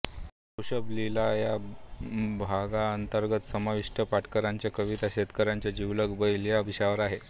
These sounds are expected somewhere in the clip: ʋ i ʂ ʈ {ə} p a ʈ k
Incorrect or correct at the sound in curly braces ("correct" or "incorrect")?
correct